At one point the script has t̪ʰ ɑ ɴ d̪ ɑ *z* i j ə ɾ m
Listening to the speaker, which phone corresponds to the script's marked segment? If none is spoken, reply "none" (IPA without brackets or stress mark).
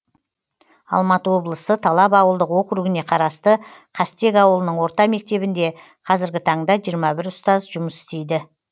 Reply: ʒ